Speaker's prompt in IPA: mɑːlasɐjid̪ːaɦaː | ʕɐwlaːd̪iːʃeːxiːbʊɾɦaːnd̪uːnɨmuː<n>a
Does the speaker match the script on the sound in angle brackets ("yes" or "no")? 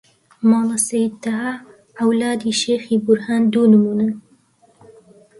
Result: yes